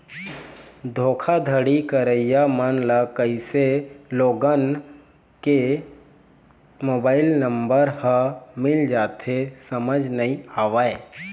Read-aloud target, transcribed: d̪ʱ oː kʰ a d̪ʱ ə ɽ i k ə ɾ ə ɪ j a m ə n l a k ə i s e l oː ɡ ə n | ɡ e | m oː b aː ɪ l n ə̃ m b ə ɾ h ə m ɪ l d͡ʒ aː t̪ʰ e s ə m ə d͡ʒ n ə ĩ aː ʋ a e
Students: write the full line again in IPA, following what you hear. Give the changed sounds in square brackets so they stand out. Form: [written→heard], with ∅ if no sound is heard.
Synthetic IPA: d̪ʱ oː kʰ a d̪ʱ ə ɽ i k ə ɾ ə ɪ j a m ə n l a k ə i s e l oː ɡ ə n | [ɡ→k] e | m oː b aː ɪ l n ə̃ m b ə ɾ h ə m ɪ l d͡ʒ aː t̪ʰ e s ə m ə d͡ʒ n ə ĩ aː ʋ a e